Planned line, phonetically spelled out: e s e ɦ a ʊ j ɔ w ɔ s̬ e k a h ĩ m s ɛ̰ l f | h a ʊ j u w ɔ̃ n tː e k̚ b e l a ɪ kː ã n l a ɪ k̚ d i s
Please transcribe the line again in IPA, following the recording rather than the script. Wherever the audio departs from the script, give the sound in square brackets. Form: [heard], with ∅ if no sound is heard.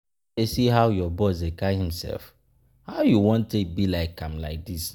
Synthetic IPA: e s [i] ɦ a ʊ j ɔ [b] ɔ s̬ e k a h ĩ m s ɛ̰ l f | h a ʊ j u w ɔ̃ n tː e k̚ b [i] l a ɪ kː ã [m] l a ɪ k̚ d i s